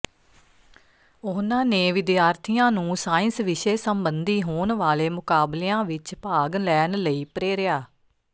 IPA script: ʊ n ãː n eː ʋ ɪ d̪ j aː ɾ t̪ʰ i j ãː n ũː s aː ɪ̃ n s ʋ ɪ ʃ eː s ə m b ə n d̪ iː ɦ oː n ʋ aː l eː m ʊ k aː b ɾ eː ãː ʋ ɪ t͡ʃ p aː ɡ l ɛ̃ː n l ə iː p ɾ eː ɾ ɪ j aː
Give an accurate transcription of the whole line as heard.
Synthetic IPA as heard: ʊ n ãː n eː ʋ ɪ d̪ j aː ɾ t̪ʰ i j ãː n ũː s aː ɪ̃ n s ʋ ɪ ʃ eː s ə m b ə n d̪ iː ɦ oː n ʋ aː l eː m ʊ k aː b l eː ãː ʋ ɪ t͡ʃ p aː ɡ l ɛː n l ə iː p ɾ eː ɾ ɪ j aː

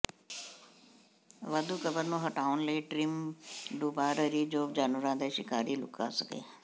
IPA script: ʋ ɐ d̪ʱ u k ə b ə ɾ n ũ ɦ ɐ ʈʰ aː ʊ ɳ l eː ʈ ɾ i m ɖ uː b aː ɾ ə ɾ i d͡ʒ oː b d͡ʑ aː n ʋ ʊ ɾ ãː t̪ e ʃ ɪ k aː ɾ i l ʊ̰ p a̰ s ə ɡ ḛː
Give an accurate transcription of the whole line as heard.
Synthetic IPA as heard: ʋ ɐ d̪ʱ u k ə b ə ɾ n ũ ɦ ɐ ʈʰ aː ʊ n l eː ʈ ɾ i m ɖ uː b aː ɾ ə ɾ i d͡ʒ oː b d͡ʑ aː n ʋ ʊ ɾ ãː d̪ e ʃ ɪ k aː ɾ i l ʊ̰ k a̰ s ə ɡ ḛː

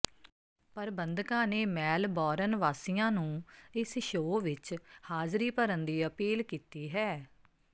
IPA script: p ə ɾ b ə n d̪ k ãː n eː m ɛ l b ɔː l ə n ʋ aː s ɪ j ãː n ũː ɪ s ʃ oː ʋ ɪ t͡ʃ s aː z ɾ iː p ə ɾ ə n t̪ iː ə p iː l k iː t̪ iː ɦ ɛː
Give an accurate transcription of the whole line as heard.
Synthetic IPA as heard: p ə ɾ b ə n d̪ k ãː n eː m ɛː l b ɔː ɾ ə n ʋ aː s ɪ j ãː n ũː ɪ s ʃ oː ʋ ɪ t͡ʃ h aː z ɾ iː p ə ɾ ə n d̪ iː ə p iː l k iː t̪ iː ɦ ɛː

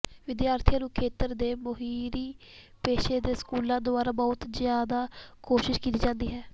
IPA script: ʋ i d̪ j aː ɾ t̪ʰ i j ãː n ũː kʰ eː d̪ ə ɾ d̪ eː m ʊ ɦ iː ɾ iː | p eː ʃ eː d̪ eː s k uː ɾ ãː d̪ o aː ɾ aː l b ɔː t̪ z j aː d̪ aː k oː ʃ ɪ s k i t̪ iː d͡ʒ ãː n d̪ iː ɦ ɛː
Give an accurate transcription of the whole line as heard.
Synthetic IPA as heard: ʋ ɪ d̪ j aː ɾ t̪ʰ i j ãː n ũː kʰ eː t̪ ə ɾ d̪ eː m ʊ ɦ iː ɾ iː | p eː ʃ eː d̪ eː s k uː l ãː d̪ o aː ɾ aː b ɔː t̪ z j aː d̪ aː k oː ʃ ɪ ʃ k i t̪ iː d͡ʒ ãː n d̪ iː ɦ ɛː

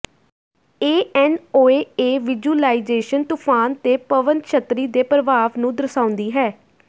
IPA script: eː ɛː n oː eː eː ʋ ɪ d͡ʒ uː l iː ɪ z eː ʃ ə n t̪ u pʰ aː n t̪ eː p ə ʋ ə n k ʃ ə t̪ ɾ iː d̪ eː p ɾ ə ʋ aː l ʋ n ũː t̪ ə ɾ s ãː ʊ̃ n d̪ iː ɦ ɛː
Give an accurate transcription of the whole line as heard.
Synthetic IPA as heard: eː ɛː n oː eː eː ʋ ɪ d͡ʒ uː l aː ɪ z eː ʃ ə n t̪ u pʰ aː n t̪ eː p ə ʋ ə n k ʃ ə t̪ ɾ iː d̪ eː p ɾ ə ʋ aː ʋ n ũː d̪ ə ɾ s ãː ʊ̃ n d̪ iː ɦ ɛː

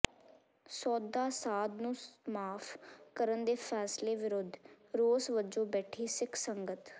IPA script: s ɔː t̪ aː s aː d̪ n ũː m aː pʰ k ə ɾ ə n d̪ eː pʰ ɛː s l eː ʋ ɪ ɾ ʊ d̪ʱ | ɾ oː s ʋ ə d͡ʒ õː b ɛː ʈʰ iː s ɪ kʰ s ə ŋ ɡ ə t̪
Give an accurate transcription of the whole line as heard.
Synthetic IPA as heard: s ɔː d̪ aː s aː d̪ n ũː m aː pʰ k ə ɾ ə n d̪ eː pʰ ɛː s l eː ʋ ɪ ɾ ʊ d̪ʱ | ɾ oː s ʋ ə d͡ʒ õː b ɛː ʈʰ iː s ɪ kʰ s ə ŋ ɡ ə t̪

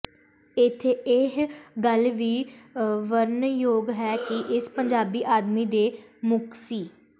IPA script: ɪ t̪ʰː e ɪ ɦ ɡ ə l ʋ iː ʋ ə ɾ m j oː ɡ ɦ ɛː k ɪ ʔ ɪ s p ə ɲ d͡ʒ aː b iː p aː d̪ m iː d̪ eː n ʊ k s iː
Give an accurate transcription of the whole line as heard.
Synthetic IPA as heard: ɪ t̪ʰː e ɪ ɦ ɡ ə l ʋ iː ʋ ə ɾ n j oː ɡ ɦ ɛː k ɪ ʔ ɪ s p ə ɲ d͡ʒ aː b iː ʔ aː d̪ m iː d̪ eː m ʊ k s iː

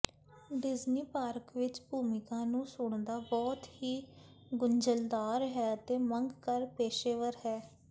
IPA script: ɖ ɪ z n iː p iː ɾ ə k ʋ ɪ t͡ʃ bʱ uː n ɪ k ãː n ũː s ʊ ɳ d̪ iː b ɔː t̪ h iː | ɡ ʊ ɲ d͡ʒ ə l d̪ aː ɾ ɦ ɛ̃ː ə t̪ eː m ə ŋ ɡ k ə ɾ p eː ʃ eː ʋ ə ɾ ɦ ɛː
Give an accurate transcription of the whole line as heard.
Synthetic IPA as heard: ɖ ɪ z n iː p aː ɾ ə k ʋ ɪ t͡ʃ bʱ uː m ɪ k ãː n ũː s ʊ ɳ d̪ aː b ɔː t̪ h iː | ɡ ʊ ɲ d͡ʒ ə l d̪ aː ɾ ɦ ɛː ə t̪ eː m ə ŋ ɡ k ə ɾ p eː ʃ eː ʋ ə ɾ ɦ ɛː

